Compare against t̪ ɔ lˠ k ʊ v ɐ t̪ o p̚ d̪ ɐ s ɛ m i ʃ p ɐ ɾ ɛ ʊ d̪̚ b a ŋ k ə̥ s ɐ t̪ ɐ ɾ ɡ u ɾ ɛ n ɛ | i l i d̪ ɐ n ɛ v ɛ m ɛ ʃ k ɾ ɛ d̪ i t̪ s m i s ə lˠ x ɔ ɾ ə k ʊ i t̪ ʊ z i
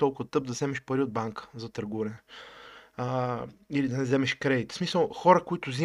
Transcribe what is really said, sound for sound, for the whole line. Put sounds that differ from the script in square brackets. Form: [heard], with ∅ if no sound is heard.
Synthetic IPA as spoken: t̪ ɔ lˠ k ʊ v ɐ t̪ [ɤ] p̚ d̪ ɐ [z] ɛ m [ɛ] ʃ p ɐ ɾ [i] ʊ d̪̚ b a ŋ k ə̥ [z] ɐ t̪ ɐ ɾ ɡ u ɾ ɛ n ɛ | i l i d̪ ɐ n ɛ [z] ɛ m ɛ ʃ k ɾ ɛ d̪ i t̪ s m i s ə lˠ x ɔ ɾ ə k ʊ i t̪ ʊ z i